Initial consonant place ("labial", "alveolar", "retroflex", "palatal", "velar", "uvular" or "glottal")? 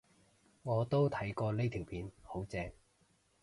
velar